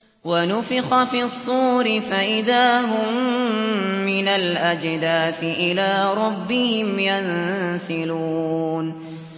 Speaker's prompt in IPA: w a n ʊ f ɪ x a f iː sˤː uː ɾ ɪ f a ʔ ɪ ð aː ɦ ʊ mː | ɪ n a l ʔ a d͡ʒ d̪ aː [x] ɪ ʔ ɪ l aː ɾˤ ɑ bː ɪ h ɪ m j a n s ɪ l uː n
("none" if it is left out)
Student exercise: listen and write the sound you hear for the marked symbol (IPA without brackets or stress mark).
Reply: θ